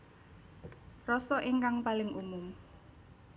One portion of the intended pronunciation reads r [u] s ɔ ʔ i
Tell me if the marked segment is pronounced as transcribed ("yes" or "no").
no